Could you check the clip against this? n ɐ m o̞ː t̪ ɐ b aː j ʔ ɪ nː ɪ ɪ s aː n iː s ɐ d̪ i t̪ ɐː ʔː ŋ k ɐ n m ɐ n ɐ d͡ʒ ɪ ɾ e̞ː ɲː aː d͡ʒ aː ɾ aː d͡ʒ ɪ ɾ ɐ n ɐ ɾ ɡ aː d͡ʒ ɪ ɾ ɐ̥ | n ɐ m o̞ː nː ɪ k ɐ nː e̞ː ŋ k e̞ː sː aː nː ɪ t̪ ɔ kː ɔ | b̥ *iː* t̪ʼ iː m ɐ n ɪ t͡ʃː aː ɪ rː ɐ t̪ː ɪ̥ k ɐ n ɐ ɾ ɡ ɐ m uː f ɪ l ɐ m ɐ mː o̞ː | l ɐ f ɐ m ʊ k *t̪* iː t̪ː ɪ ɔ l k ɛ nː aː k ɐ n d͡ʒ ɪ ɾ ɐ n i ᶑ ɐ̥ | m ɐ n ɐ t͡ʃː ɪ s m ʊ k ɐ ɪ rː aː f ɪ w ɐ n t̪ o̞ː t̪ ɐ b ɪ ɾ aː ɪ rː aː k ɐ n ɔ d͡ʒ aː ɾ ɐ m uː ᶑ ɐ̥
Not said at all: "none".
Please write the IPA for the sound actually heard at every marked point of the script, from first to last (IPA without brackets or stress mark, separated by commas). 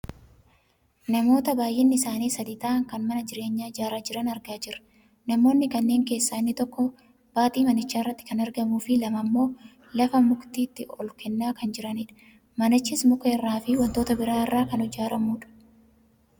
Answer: aː, t̪